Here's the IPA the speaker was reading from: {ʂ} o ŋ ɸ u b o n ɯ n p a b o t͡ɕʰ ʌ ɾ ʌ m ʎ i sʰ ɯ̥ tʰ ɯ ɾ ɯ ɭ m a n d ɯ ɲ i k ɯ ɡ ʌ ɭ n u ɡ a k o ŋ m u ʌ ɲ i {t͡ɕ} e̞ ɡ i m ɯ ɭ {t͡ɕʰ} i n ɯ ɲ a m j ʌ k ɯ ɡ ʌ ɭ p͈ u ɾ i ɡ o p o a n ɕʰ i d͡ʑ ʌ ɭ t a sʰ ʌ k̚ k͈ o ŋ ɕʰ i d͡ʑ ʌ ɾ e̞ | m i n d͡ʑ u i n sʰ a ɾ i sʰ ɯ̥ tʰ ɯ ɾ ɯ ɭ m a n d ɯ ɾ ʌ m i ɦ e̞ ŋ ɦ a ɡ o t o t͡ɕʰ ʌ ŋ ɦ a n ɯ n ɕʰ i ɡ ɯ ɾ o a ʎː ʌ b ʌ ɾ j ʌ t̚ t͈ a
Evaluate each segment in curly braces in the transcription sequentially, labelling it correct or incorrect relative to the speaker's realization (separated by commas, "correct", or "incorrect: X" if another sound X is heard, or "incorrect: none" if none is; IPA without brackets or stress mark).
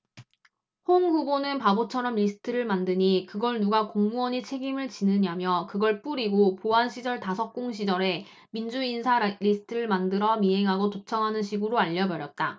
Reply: incorrect: h, incorrect: t͡ɕʰ, incorrect: t͡ɕ